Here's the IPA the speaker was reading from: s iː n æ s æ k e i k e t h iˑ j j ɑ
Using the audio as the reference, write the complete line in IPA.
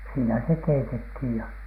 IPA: s iː n æ s e k e i t e t h iˑ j j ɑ